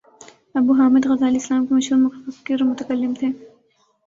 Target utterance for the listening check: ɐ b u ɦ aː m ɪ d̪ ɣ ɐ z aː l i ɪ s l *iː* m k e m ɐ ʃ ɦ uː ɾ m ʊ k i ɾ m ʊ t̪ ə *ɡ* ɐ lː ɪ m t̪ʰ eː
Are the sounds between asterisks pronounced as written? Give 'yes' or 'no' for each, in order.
no, no

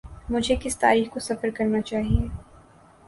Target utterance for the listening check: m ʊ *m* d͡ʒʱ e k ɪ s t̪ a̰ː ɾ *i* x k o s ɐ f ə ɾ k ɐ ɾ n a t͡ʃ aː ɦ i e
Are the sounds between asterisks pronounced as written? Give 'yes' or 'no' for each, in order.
no, no

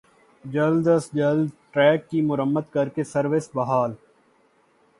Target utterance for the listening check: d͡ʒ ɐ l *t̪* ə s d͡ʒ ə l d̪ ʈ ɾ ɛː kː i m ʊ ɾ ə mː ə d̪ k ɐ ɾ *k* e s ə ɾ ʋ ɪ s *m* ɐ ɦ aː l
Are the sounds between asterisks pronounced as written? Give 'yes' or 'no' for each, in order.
no, yes, no

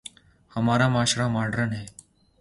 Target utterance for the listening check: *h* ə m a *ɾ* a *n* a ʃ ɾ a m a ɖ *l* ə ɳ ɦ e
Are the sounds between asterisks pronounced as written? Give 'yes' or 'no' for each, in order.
yes, yes, no, no

